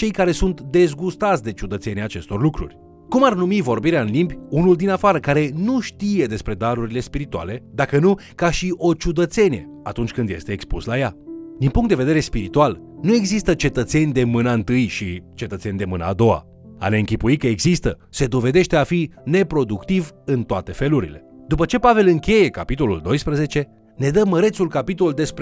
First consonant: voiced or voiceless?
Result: voiceless